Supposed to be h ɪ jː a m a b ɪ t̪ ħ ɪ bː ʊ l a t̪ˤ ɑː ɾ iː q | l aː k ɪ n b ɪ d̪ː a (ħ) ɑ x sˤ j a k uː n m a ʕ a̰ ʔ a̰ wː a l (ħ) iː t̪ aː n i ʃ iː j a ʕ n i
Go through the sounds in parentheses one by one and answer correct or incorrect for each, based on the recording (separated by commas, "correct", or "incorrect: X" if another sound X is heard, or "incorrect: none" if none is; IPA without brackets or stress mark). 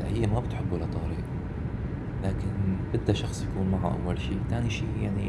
incorrect: ʃ, incorrect: ʃ